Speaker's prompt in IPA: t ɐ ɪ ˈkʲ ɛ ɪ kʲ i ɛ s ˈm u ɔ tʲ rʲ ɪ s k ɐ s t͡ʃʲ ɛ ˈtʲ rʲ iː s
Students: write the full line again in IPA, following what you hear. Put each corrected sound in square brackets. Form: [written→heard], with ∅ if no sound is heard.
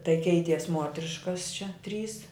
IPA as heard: t ɐ ɪ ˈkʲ ɛ ɪ [kʲ→tʲ] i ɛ s ˈm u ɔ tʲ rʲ ɪ [s→ʃ] k ɐ s t͡ʃʲ ɛ ˈtʲ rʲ iː s